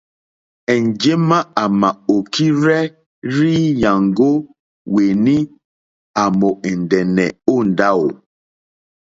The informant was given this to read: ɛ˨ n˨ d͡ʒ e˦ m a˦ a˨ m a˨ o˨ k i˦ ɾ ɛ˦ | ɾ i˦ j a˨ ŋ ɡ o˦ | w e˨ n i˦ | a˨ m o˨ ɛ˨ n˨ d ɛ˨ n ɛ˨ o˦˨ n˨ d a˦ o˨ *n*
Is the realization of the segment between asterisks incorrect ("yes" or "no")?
yes